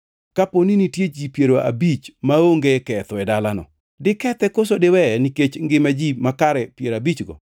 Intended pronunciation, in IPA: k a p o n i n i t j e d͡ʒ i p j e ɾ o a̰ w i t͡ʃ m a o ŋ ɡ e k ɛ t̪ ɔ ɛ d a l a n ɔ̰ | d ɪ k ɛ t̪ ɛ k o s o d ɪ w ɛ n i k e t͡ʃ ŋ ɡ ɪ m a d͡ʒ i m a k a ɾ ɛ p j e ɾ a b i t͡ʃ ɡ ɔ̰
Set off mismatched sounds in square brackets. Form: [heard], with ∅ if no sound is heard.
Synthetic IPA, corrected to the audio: k a p o n i n i t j e d͡ʒ i p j e ɾ o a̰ [b] i t͡ʃ m a o ŋ ɡ e k ɛ t̪ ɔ ɛ d a l a n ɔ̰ | d ɪ k ɛ t̪ ɛ k o s o d ɪ w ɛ n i k e t͡ʃ ŋ ɡ ɪ m a d͡ʒ i m a k a ɾ ɛ p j e ɾ a b i t͡ʃ ɡ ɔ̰